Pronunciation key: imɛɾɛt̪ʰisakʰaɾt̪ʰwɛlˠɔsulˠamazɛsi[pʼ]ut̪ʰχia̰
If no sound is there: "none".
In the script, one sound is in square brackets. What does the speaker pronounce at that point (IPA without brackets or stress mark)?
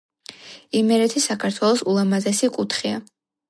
kʼ